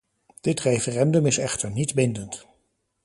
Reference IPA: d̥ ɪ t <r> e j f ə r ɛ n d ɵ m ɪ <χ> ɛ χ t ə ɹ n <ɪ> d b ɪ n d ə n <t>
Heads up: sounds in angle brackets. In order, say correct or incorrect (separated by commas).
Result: correct, incorrect, incorrect, correct